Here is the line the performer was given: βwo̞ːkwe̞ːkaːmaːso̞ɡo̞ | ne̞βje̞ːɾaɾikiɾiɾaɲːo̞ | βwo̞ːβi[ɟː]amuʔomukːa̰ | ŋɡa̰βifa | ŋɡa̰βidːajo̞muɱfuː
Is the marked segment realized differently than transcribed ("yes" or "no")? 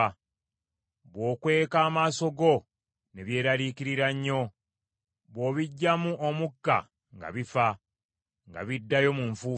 no